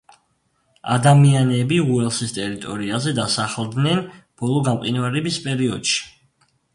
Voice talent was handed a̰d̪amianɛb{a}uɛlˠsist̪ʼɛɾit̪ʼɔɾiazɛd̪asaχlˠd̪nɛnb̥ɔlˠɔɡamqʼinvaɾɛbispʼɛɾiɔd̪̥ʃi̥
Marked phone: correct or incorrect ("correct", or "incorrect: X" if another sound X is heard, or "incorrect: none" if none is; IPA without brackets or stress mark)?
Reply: incorrect: i